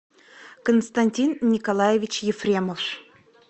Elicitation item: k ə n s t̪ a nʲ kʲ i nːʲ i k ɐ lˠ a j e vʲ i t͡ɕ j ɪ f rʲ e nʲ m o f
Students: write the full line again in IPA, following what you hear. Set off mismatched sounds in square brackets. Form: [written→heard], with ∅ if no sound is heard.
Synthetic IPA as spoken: k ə n s t̪ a nʲ [kʲ→tʲ] i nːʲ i k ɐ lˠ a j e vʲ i t͡ɕ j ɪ f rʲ e [nʲ→∅] m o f